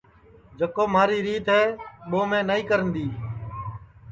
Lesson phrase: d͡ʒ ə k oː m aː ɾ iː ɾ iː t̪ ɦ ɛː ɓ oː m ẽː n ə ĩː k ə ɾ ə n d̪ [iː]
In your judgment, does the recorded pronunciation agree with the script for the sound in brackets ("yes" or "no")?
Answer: yes